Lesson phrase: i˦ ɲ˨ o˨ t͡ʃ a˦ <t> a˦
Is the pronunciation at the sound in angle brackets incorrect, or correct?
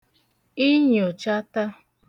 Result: correct